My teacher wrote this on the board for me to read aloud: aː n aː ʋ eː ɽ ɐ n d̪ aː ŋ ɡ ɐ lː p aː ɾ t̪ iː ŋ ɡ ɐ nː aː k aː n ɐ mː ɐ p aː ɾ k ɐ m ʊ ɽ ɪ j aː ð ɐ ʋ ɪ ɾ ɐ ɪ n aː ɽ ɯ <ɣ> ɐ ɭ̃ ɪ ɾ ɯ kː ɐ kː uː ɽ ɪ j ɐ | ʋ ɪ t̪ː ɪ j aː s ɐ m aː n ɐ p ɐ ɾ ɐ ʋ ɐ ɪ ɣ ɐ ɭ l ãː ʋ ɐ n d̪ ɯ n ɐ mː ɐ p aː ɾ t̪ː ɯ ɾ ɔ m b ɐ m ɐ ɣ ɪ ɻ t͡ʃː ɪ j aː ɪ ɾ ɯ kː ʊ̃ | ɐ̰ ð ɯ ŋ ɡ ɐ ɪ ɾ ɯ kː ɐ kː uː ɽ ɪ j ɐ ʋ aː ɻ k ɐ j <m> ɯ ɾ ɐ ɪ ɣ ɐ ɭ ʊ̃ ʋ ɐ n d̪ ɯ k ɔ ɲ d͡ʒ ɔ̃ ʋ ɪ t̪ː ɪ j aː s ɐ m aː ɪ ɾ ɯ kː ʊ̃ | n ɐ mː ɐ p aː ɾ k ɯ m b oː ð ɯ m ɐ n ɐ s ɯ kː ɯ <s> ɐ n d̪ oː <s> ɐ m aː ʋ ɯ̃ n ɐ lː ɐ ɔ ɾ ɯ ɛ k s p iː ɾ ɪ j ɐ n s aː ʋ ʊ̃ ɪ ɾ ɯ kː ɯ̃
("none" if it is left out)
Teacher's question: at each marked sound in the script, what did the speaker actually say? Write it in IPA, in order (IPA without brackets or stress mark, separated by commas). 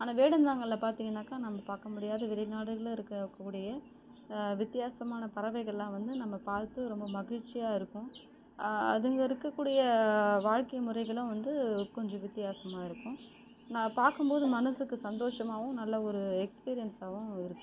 ɣ, m, s, ʂ